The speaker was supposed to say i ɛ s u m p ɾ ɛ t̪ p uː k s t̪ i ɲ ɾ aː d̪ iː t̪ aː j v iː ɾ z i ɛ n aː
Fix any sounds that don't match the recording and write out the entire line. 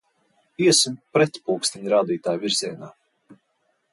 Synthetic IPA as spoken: i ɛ s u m p ɾ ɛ t̪ p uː k s t̪ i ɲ ɾ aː d̪ iː t̪ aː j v i ɾ z i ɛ n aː